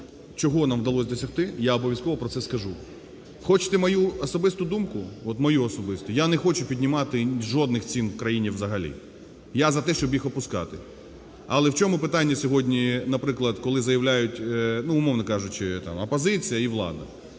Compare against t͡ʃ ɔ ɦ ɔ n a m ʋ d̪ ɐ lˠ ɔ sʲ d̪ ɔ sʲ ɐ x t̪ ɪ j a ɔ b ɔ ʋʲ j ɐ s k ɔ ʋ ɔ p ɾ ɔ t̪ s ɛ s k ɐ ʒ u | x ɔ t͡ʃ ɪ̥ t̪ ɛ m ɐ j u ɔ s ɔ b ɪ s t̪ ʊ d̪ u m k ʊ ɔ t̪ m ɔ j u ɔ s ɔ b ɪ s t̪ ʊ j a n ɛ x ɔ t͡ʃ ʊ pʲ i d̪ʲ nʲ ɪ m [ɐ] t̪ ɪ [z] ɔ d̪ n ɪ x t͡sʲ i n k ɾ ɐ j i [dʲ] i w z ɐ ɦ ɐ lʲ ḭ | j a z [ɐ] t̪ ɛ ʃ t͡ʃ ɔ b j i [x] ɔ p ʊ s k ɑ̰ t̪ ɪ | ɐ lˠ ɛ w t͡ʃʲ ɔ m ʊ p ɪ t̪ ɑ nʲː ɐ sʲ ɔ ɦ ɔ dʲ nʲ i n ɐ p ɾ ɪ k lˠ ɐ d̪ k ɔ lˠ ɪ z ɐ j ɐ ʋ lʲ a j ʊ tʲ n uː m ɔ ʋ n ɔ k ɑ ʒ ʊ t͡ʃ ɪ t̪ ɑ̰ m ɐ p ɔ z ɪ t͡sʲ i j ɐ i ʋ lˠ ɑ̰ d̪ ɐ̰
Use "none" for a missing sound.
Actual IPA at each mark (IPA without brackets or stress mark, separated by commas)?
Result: ɑ, ʒ, nʲ, ɐ, x